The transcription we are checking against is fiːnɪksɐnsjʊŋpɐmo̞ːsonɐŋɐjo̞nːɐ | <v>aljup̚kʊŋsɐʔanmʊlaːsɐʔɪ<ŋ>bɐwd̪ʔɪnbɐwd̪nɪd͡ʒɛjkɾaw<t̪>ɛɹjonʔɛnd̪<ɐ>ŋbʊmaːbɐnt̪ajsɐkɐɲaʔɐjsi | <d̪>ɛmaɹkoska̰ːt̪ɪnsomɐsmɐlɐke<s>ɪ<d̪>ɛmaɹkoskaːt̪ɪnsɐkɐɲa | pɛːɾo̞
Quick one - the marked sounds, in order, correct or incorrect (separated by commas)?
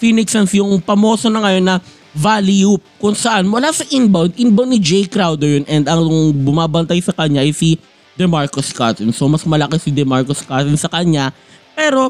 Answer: correct, incorrect, incorrect, correct, correct, correct, correct